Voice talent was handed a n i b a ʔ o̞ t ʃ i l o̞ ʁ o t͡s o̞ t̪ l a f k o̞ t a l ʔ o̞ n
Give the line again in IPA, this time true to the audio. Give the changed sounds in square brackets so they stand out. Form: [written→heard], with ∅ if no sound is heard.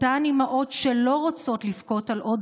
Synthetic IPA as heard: a n i [b→m] a ʔ o̞ t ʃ [i→e] l o̞ ʁ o t͡s o̞ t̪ l [a→i] f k o̞ t a l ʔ o̞ [n→d]